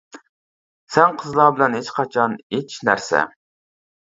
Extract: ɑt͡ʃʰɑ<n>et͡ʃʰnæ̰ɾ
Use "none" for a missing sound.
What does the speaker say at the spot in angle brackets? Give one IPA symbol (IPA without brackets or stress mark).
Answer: n